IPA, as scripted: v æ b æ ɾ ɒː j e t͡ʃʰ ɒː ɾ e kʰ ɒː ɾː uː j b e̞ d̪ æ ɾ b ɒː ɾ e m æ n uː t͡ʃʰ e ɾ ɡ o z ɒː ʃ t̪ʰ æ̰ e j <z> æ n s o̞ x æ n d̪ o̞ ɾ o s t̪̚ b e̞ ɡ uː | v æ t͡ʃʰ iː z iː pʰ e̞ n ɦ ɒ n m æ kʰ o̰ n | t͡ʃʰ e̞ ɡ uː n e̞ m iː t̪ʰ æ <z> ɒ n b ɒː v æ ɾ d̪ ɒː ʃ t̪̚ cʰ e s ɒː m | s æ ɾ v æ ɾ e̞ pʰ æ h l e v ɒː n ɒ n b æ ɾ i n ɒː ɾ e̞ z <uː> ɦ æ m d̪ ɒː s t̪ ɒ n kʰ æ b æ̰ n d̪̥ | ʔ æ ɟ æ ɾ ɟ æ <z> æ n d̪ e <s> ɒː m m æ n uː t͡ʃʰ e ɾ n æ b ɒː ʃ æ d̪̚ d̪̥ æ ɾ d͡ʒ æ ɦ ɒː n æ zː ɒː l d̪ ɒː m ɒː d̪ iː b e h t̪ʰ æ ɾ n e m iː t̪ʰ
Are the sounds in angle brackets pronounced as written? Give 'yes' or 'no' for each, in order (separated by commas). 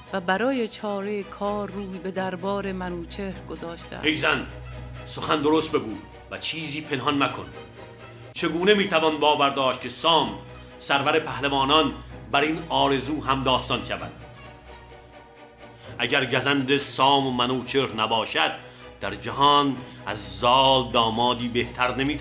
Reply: yes, no, yes, yes, yes